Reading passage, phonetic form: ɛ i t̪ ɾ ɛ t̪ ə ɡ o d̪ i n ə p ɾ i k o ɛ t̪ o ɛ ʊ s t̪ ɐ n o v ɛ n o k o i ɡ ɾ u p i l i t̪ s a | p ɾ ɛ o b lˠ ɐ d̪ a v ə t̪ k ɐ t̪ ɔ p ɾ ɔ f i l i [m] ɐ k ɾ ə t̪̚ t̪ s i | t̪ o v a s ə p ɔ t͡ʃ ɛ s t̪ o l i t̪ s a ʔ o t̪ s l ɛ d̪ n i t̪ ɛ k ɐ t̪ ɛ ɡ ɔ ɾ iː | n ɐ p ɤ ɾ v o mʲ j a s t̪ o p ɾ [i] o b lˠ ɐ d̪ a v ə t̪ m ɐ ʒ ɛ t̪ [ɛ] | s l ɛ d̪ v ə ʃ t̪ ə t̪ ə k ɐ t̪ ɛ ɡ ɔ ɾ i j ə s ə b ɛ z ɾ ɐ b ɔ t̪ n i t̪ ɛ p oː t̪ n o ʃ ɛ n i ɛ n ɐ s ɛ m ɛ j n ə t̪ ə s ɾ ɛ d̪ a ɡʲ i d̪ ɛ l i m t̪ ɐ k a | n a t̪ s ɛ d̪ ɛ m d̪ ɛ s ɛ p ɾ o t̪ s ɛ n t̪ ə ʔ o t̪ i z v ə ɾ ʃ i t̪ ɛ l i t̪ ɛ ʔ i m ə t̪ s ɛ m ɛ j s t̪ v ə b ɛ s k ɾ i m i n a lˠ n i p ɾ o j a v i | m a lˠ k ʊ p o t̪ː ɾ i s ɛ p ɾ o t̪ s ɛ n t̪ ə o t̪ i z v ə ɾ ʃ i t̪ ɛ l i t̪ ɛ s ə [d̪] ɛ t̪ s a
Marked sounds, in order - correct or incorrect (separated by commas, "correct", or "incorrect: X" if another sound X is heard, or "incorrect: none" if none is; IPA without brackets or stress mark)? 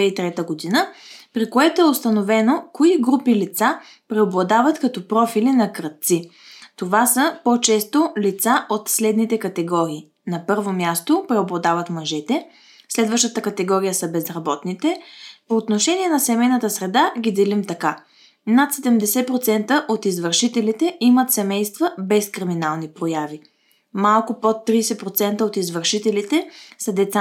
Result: incorrect: n, incorrect: ɛ, correct, correct